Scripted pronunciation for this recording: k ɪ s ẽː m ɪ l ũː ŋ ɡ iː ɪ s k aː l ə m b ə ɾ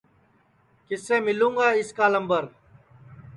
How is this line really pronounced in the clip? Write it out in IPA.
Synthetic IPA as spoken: k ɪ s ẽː m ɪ l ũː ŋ ɡ aː ɪ s k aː l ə m b ə ɾ